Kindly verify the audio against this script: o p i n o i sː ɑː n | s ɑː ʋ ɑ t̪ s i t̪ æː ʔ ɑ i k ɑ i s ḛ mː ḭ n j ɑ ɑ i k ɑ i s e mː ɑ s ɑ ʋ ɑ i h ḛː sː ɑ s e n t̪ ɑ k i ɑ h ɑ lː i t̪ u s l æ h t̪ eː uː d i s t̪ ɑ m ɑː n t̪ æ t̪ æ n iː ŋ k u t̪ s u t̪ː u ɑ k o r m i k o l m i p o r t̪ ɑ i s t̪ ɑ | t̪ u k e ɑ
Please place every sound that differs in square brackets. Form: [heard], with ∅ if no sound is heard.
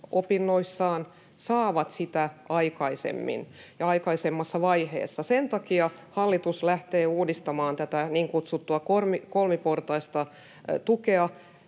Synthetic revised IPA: o p i [nː] o i sː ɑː n | s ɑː ʋ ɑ t̪ s i t̪ [æ] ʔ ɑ i k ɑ i s ḛ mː ḭ n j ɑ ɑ i k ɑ i s e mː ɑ [sː] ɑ ʋ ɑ i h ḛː sː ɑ s e n t̪ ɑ k i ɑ h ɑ lː i t̪ u s l æ h t̪ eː uː d i s t̪ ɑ m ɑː n t̪ æ t̪ æ n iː ŋ k u t̪ s u t̪ː u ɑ k o r m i k o l m i p o r t̪ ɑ i s t̪ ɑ | t̪ u k e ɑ